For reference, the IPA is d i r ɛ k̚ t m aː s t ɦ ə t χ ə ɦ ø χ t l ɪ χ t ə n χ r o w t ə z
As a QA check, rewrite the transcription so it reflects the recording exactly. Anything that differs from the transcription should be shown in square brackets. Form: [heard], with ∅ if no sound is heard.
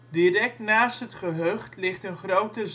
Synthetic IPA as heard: d i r ɛ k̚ t [n] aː s t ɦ ə t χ ə ɦ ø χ t l ɪ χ t ə n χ r o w t ə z